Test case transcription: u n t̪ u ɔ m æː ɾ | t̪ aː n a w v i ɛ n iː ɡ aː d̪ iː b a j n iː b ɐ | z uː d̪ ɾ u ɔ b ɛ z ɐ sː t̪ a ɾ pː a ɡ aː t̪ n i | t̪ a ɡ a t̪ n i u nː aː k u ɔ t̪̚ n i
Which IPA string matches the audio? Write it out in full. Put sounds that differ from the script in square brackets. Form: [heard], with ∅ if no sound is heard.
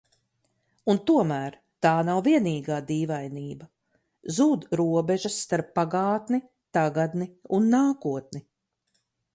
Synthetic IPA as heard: u n t̪ u ɔ m æː ɾ | t̪ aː n a w v i ɛ n iː ɡ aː d̪ iː [v] a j n iː b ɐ | z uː d̪ ɾ u ɔ b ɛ [ʒ] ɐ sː t̪ a ɾ pː a ɡ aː t̪ n i | t̪ a ɡ a [d̪] n i u nː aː k u ɔ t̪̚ n i